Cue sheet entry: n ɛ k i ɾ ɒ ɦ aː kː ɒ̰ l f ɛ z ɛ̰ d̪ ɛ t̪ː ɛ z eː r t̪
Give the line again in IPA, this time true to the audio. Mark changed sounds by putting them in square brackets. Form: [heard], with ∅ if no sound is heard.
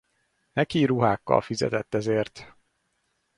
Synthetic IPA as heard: n ɛ k i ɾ [u] ɦ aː kː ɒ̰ l f [i] z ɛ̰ [t̪] ɛ t̪ː ɛ z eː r t̪